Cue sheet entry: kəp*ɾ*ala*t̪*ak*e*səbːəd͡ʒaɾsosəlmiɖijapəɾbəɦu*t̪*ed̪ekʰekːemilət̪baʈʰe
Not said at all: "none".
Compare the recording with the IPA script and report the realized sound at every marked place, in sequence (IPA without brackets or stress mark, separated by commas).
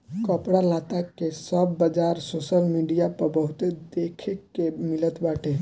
ɽ, t̪, e, t̪